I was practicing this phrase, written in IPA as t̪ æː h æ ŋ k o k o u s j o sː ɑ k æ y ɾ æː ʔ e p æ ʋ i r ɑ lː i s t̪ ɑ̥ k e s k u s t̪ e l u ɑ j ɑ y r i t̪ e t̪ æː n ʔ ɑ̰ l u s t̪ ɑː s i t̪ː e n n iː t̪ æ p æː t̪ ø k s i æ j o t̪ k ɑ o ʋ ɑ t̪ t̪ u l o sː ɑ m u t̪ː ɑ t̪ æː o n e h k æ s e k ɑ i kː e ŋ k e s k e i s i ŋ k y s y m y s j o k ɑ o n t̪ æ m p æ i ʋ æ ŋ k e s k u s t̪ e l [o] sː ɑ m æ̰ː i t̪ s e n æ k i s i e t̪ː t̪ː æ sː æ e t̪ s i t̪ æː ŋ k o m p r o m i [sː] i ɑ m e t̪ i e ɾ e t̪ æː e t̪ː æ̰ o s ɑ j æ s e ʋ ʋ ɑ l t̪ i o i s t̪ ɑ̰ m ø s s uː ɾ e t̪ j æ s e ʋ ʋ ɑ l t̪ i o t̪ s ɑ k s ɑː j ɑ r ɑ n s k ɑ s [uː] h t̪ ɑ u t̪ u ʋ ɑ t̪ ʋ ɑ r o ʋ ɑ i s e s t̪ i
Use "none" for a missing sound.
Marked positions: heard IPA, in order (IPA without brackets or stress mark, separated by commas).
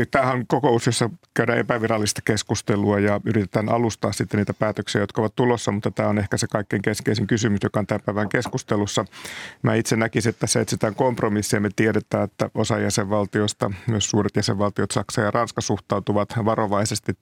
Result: u, sː, u